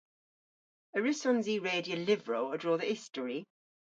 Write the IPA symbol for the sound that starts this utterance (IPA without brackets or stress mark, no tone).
ə